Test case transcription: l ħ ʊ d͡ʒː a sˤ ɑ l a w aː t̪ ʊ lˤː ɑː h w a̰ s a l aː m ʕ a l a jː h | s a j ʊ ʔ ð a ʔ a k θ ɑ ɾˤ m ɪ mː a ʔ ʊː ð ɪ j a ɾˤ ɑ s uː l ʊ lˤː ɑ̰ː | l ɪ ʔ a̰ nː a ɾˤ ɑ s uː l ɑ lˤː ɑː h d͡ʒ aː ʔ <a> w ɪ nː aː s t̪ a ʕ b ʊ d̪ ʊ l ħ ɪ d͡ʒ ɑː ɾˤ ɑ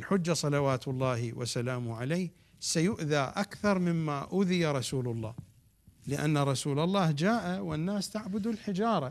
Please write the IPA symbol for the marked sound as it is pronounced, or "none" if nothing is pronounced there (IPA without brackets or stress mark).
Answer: a